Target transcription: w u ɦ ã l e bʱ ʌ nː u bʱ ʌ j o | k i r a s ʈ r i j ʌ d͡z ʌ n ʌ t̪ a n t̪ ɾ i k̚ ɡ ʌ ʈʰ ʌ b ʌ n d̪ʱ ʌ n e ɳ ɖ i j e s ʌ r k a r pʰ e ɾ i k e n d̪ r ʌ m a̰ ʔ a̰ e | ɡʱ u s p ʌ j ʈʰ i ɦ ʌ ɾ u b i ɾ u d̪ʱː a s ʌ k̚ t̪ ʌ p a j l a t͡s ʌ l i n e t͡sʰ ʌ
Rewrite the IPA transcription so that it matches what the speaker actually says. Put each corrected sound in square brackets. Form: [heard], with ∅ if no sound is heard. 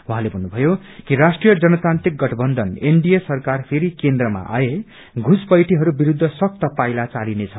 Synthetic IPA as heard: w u ɦ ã l e bʱ ʌ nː u bʱ ʌ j o | k i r a s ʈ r i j ʌ d͡z ʌ n ʌ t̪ a n t̪ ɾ i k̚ ɡ ʌ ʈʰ ʌ b ʌ n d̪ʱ ʌ n e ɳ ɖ i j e s ʌ r k a r pʰ e ɾ i k e n d̪ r ʌ m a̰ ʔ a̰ e | ɡʱ u s p ʌ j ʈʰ i ɦ ʌ ɾ u b i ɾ u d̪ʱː [ʌ] s ʌ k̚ t̪ ʌ p a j l a t͡s [a] l i n e t͡sʰ ʌ